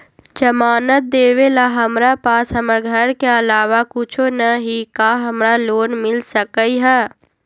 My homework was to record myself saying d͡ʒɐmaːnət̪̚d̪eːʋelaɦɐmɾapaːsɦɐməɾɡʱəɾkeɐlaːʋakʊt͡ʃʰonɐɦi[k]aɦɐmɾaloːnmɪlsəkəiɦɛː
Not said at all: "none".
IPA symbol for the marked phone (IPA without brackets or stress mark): k